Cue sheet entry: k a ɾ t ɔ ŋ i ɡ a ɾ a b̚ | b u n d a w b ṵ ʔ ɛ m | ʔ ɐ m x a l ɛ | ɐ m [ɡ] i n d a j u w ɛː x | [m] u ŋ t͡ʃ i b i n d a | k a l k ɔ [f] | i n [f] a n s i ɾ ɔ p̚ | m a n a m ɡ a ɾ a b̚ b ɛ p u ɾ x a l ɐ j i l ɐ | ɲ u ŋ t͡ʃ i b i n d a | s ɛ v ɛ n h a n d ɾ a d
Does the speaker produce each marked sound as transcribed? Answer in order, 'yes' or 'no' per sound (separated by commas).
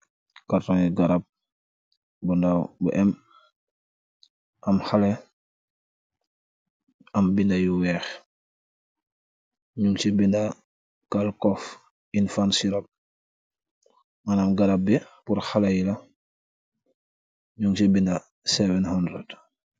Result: no, no, yes, yes